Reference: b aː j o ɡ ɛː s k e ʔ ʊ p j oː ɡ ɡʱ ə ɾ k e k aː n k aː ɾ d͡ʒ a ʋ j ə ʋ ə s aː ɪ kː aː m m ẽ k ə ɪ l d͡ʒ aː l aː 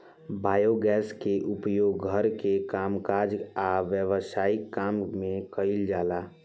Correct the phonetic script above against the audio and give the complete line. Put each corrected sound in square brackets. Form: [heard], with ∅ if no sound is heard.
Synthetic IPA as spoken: b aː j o ɡ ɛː s k e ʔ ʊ p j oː ɡ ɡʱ ə ɾ k e k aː [m] k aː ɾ d͡ʒ a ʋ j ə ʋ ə s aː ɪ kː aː m m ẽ k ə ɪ l d͡ʒ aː l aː